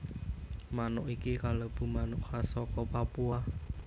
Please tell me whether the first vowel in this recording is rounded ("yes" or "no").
no